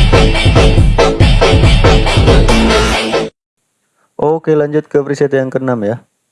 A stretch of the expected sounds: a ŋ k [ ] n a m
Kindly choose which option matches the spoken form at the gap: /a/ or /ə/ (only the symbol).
ə